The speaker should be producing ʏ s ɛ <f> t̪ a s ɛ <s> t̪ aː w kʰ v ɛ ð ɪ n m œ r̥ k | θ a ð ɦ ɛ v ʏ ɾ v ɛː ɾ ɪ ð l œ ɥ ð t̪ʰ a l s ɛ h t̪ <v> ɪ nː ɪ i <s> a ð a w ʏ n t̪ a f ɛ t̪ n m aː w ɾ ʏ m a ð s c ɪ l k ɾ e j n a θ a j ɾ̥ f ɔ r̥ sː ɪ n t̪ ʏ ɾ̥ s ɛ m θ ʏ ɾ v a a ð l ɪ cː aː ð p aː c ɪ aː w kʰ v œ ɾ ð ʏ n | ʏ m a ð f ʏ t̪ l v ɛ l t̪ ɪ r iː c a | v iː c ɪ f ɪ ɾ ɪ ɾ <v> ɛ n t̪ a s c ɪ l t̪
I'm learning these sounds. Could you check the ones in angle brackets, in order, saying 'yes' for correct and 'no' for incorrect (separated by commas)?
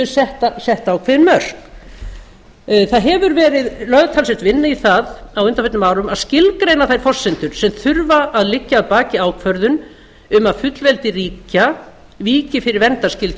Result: no, no, yes, no, yes